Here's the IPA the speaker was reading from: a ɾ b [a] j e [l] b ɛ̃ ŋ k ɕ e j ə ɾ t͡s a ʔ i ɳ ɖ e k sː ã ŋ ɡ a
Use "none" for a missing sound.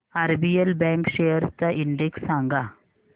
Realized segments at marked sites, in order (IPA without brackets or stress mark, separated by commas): i, l